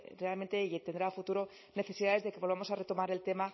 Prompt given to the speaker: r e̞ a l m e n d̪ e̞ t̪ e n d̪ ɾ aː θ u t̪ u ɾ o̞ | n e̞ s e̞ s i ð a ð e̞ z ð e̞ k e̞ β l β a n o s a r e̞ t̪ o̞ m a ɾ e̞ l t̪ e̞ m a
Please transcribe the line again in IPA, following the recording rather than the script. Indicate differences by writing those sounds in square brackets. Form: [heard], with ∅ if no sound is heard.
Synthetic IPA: r e̞ a l m e n [t̪] e̞ t̪ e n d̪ ɾ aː [f] u t̪ u ɾ o̞ | n e̞ [θ] e̞ s i ð a ð e̞ z ð e̞ k e̞ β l β a [m] o s a r e̞ t̪ o̞ m a ɾ e̞ l t̪ e̞ m a